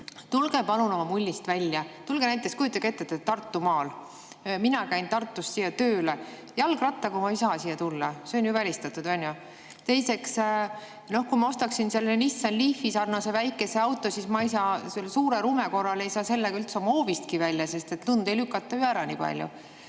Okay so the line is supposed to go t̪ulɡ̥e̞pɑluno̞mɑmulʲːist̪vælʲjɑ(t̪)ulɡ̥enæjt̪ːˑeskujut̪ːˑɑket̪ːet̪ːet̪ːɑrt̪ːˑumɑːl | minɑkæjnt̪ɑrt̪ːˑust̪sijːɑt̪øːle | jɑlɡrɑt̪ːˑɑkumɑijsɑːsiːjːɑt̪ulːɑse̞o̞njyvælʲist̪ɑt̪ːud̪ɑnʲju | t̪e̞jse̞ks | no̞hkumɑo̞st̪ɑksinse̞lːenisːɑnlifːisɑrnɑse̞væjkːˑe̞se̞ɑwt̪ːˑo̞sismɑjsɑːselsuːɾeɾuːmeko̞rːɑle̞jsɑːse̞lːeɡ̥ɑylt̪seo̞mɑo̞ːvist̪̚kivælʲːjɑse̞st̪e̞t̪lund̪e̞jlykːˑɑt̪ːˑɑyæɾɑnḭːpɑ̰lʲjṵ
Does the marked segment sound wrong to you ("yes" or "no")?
no